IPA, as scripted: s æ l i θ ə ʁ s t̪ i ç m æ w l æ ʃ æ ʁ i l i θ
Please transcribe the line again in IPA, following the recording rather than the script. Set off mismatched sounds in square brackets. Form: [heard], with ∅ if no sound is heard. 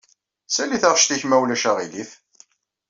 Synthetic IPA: s æ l i θ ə ʁ [ʃ] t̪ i ç m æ w l æ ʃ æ ʁ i l i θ

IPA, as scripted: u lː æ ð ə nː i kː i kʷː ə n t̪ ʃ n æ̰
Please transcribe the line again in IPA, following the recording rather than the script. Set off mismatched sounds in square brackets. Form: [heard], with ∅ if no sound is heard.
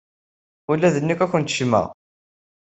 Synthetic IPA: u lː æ ð ə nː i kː [æ] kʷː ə n t̪ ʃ [m] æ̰

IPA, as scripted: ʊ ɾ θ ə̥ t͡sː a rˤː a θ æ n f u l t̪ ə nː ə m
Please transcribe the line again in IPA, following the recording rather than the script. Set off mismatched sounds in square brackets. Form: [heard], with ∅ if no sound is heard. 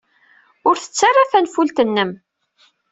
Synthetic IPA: ʊ ɾ θ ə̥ t͡sː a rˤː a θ æ n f u l t̪ ə nː ə m

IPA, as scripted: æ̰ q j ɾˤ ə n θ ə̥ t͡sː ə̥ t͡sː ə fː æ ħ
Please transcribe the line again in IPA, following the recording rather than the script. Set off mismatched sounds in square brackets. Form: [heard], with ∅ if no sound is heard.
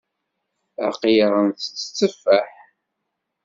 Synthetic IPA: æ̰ q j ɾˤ ə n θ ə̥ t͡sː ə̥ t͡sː ə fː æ ħ

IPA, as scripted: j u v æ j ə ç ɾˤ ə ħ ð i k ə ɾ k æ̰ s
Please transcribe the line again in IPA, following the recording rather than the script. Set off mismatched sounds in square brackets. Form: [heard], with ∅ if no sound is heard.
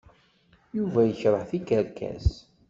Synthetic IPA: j u v æ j ə ç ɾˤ ə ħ [θ] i k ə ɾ k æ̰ s

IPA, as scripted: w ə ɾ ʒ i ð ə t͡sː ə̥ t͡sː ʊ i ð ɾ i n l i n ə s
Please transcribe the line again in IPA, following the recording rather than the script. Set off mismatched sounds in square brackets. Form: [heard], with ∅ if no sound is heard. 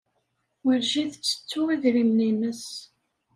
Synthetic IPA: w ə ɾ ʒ i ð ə t͡sː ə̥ t͡sː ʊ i ð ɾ i [m] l i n ə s

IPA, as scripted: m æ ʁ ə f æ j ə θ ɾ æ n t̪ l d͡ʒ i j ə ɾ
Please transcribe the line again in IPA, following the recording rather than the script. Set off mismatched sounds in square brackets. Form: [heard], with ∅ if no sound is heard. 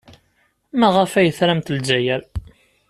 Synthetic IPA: m æ ʁ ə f æ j ə θ ɾ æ [m] t̪ l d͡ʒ [æ] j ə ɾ

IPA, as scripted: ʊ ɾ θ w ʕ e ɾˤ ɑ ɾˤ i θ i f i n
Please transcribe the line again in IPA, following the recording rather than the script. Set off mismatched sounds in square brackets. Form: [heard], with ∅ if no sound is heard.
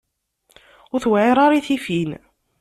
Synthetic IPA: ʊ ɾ θ w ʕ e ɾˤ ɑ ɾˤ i θ i f i n

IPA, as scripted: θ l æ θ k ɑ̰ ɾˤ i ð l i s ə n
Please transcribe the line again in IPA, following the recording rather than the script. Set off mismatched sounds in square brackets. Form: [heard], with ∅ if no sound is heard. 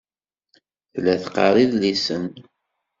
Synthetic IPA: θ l æ θ [q] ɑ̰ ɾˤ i ð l i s ə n

